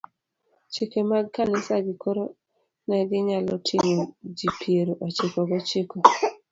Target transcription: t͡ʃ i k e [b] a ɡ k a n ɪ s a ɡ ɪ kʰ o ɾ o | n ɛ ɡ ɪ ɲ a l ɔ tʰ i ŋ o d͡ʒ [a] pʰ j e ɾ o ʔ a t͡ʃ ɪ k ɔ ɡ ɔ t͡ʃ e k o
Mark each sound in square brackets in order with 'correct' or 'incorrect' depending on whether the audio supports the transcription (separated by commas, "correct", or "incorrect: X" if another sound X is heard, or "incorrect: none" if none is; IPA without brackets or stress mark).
incorrect: m, incorrect: i